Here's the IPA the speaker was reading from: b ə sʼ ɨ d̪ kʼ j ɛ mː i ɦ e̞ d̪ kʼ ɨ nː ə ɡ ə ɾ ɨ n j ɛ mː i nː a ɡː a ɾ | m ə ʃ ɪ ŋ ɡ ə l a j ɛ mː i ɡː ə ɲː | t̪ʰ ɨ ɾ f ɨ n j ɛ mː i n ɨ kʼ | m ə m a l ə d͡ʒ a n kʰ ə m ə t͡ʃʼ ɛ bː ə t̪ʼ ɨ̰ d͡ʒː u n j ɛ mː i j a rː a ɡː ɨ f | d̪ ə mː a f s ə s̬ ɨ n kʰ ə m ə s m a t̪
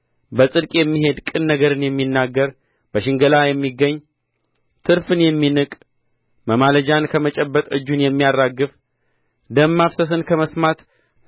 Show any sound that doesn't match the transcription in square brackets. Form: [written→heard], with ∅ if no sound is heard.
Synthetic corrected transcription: b ə sʼ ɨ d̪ kʼ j ɛ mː i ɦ e̞ d̪ kʼ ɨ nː ə ɡ ə ɾ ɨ n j ɛ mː i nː a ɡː [a→ə] ɾ | [m→b] ə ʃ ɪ ŋ ɡ ə l a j ɛ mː i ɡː ə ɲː | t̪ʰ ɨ ɾ f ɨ n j ɛ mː i n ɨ kʼ | m ə m a l ə d͡ʒ a n kʰ ə m ə t͡ʃʼ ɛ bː ə t̪ʼ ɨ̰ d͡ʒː u n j ɛ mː i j a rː a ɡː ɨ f | d̪ ə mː a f s ə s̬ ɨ n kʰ ə m ə s m a t̪